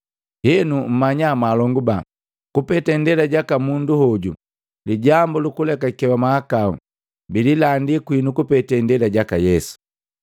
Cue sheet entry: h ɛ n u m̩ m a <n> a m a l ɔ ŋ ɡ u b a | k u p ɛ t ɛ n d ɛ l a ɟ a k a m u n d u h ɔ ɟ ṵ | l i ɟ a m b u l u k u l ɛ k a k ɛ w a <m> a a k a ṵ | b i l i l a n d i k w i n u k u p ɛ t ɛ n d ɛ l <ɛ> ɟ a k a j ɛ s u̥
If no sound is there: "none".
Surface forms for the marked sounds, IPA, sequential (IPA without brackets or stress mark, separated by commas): ɲ, m, a